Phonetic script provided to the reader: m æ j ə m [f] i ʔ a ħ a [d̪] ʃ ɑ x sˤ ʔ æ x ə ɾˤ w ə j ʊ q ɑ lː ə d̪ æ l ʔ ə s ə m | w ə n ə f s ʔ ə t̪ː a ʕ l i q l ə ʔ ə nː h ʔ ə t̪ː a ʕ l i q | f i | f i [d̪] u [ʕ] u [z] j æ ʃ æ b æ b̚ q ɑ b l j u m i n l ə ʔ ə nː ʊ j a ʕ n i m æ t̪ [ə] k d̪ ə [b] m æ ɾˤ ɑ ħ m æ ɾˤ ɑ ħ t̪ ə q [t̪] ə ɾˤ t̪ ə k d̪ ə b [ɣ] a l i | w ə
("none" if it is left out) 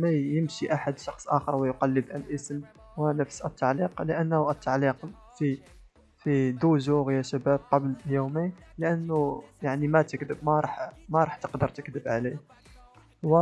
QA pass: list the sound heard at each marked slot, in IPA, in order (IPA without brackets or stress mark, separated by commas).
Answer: ʃ, d̪, d̪, ʒ, ɣ, ə, b, d̪, ʕ